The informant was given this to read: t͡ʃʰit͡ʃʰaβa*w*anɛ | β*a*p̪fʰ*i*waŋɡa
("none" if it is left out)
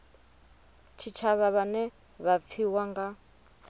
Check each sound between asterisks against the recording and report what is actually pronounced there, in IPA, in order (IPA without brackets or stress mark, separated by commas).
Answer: β, a, i